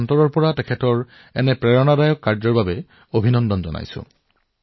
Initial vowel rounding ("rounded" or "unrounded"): rounded